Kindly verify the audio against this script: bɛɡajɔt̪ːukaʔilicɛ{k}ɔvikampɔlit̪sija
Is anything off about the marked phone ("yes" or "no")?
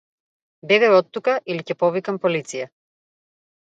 yes